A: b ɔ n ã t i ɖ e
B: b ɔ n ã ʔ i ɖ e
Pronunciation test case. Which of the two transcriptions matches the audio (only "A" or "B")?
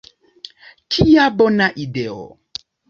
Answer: B